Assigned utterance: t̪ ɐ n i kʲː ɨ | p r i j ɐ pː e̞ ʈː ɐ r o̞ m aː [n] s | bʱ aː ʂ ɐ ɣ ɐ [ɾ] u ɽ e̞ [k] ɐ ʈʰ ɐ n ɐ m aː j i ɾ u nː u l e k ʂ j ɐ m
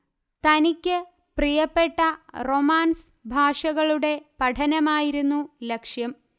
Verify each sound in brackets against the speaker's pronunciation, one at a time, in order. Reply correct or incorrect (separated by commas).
correct, incorrect, incorrect